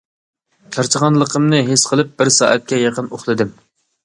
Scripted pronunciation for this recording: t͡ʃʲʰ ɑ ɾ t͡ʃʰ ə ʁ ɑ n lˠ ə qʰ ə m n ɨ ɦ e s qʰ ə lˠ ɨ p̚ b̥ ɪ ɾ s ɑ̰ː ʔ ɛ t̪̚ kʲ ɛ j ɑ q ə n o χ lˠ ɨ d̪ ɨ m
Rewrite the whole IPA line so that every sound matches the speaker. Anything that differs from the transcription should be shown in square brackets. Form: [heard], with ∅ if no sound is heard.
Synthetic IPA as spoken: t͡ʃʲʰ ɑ ɾ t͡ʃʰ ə ʁ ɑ n lˠ ə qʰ ə m n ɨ ɦ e s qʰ ə lˠ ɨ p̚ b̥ ɪ ɾ s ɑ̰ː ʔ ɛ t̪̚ kʲ ɛ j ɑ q ə n o χ lˠ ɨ d̪ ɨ m

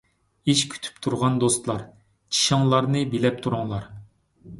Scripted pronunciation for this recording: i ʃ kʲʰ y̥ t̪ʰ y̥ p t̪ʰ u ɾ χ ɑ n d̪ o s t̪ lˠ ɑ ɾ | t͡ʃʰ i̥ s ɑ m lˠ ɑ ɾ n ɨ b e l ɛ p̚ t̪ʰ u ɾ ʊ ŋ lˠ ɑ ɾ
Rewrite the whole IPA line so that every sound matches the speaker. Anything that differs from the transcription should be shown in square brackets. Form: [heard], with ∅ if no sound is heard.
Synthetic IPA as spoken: i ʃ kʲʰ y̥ t̪ʰ y̥ p t̪ʰ u ɾ [ʁ] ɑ n d̪ o s t̪ lˠ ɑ ɾ | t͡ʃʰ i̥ [ʃ] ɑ [ŋ] lˠ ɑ ɾ n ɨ b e l ɛ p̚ t̪ʰ u ɾ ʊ ŋ lˠ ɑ ɾ

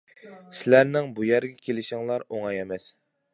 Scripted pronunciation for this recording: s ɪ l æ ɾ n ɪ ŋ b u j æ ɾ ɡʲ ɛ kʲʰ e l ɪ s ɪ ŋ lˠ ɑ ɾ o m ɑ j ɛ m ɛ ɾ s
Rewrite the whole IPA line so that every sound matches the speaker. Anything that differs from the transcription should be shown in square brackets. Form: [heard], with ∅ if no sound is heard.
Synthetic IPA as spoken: s ɪ l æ ɾ n ɪ ŋ b u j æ ɾ ɡʲ ɛ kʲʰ e l ɪ [ʃ] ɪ ŋ lˠ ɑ ɾ o [ŋ] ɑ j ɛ m ɛ [∅] s

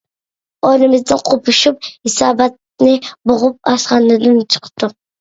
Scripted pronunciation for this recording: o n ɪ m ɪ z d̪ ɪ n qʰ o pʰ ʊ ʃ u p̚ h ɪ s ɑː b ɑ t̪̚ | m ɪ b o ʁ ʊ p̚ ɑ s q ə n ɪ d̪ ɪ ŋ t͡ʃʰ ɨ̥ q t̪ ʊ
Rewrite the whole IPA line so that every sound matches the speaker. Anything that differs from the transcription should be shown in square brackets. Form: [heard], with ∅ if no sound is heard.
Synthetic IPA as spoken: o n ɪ m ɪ z d̪ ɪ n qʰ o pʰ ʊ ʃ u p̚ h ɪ s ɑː b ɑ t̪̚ | [n] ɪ b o ʁ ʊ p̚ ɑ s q [ɑ] n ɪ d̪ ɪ [n] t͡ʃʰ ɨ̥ q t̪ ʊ

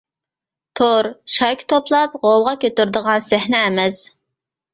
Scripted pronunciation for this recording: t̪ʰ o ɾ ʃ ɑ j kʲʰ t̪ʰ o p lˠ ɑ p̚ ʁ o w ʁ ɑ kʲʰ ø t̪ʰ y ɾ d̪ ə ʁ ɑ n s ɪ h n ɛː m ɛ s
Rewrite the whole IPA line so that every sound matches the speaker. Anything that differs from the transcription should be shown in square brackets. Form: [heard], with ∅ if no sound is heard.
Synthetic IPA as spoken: t̪ʰ o ɾ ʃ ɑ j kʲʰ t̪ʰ o p lˠ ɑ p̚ ʁ o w ʁ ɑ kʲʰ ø [t̪] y ɾ d̪ ə ʁ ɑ n s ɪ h n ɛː m ɛ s

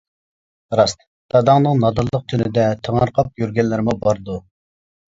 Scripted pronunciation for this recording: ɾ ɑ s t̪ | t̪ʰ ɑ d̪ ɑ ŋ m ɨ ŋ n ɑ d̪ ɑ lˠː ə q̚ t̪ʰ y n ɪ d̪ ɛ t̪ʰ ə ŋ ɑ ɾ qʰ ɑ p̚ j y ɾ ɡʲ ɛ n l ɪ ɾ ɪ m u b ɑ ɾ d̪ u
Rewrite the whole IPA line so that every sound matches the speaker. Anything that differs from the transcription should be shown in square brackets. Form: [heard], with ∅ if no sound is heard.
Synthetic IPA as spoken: ɾ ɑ s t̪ | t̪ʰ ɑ d̪ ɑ ŋ [n] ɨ ŋ n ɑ d̪ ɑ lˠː ə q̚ t̪ʰ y n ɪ d̪ ɛ t̪ʰ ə ŋ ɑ ɾ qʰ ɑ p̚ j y ɾ ɡʲ ɛ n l ɪ ɾ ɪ m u b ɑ ɾ d̪ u

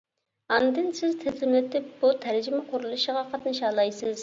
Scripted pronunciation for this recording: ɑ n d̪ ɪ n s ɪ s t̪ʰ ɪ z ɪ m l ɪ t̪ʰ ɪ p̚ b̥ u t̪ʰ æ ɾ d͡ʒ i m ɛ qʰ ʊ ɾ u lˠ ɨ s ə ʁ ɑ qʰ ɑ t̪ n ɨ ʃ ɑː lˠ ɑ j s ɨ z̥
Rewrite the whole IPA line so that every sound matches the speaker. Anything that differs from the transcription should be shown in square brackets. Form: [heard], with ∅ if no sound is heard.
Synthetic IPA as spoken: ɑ n d̪ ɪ n s ɪ [z] t̪ʰ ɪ z ɪ m l ɪ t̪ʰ ɪ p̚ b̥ u t̪ʰ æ ɾ d͡ʒ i m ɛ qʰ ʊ ɾ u lˠ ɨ [ʃ] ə ʁ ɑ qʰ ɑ t̪ n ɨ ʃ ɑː lˠ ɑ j s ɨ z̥

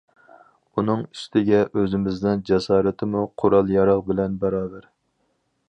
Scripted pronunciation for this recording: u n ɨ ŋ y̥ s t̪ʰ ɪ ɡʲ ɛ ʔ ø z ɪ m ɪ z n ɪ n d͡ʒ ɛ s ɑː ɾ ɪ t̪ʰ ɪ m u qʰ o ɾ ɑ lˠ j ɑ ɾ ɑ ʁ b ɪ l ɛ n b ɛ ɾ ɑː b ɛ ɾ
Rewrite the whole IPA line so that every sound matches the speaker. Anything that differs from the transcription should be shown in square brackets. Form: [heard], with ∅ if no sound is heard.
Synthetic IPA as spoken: u n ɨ ŋ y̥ s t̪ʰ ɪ ɡʲ ɛ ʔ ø z ɪ m ɪ z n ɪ n d͡ʒ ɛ s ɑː ɾ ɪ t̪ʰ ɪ m u qʰ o ɾ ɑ lˠ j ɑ ɾ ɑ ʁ b ɪ l ɛ n b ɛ ɾ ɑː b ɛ ɾ

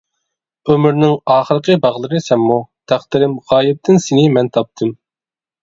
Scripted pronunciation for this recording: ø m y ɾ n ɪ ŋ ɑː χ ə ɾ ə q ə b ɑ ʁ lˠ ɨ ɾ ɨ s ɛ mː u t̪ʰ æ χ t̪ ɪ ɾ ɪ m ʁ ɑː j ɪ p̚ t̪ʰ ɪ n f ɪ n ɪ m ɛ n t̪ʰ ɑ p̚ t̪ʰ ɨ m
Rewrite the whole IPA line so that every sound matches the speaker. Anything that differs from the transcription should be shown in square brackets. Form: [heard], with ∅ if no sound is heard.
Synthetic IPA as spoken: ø m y ɾ n ɪ ŋ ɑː χ ə ɾ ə q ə b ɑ ʁ lˠ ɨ ɾ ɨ s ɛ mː u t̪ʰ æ χ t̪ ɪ ɾ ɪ m ʁ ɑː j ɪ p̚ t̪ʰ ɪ n [s] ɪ n ɪ m ɛ n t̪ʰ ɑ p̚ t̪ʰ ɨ m

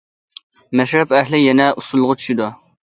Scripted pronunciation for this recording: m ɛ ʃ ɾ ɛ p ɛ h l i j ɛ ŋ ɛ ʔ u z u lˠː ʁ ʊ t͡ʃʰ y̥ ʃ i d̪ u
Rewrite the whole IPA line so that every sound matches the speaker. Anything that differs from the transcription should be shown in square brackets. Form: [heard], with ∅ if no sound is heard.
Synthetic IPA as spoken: m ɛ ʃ ɾ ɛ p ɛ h l [ɪ] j ɛ [n] ɛ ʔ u [s] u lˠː ʁ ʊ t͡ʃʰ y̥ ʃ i d̪ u

